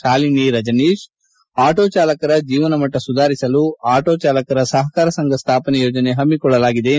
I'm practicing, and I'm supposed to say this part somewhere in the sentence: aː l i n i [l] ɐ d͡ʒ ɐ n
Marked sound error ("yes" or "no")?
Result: yes